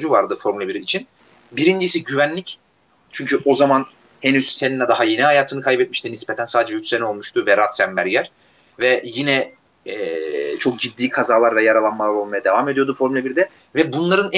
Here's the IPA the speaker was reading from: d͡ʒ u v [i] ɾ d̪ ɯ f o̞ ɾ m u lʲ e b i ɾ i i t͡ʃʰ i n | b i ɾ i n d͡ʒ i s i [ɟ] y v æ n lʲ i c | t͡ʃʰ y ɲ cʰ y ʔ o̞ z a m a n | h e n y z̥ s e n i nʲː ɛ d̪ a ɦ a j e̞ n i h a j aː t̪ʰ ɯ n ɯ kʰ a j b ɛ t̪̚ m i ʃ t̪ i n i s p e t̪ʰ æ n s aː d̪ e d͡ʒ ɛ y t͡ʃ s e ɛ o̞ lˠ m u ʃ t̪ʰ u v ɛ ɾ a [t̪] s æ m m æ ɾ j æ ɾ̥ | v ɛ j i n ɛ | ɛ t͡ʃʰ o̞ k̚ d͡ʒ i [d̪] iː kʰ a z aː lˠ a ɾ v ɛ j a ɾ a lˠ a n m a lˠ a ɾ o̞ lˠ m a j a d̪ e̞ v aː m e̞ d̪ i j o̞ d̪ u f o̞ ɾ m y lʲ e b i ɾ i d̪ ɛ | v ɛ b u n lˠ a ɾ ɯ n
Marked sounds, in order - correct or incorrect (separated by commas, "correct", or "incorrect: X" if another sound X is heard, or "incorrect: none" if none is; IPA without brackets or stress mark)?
incorrect: a, correct, correct, incorrect: d̪ː